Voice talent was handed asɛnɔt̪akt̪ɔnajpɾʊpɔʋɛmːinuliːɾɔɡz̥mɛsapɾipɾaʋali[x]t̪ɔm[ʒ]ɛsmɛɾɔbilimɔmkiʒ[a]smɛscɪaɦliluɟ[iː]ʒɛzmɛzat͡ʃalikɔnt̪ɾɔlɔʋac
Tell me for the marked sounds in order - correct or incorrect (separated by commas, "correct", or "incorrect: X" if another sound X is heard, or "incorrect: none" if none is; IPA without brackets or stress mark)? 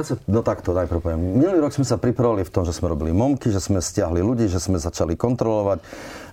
incorrect: f, correct, incorrect: ɛ, correct